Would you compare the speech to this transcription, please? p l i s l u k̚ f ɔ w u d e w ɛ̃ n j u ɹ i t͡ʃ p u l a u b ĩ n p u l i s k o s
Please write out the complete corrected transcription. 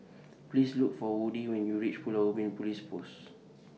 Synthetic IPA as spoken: p l i s l u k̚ f ɔ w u d i w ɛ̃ n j u ɹ i t͡ʃ p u l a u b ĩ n p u l i s p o s